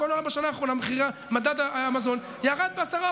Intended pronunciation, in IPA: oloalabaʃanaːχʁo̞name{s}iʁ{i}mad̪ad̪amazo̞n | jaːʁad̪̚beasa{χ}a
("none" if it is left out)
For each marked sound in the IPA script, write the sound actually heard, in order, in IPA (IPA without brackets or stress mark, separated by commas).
χ, a, ʁ